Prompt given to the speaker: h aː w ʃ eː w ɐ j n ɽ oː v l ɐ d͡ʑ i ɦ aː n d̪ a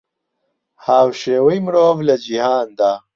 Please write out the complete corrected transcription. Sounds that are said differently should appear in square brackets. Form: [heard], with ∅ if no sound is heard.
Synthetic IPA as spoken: h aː w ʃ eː w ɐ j [m] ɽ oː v l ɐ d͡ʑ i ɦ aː n d̪ a